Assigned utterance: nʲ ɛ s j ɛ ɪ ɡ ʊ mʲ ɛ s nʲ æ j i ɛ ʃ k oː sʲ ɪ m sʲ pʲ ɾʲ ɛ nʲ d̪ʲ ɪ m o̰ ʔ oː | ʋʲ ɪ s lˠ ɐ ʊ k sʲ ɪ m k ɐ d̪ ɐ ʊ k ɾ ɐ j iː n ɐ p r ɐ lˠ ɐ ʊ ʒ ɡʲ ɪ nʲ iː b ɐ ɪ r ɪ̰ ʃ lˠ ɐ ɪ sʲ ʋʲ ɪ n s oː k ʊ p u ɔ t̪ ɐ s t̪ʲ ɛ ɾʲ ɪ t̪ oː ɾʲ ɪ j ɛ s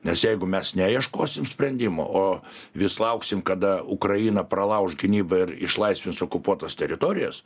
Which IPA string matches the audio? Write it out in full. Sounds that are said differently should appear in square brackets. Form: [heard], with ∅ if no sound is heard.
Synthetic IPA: nʲ ɛ s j ɛ ɪ ɡ ʊ mʲ ɛ s nʲ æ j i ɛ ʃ k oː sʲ ɪ m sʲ pʲ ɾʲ ɛ nʲ d̪ʲ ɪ m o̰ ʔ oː | ʋʲ ɪ s lˠ ɐ ʊ k sʲ ɪ m k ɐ d̪ ɐ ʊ k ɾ ɐ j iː n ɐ p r ɐ lˠ ɐ ʊ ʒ ɡʲ ɪ nʲ iː b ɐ ɪ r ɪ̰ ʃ lˠ ɐ ɪ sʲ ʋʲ ɪ n s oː k ʊ p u ɔ t̪ ɐ s t̪ʲ ɛ ɾʲ ɪ t̪ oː ɾʲ ɪ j ɛ s